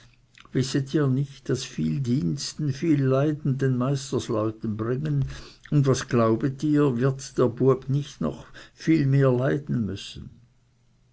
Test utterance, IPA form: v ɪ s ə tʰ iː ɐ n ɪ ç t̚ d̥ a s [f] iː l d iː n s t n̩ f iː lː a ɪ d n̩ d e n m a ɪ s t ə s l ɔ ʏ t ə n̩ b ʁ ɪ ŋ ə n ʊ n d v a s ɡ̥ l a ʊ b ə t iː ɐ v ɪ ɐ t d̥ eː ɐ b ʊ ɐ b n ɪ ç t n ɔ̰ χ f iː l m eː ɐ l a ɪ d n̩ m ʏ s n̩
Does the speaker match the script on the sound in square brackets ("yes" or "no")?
yes